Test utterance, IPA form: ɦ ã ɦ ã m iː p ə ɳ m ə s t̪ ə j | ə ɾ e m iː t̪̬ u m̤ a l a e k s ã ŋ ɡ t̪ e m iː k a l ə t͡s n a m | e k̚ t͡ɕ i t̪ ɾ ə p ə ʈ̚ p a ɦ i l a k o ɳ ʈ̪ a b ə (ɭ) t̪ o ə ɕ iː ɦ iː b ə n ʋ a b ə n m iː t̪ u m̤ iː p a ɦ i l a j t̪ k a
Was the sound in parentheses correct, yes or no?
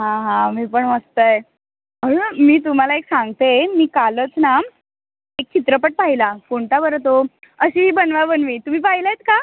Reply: no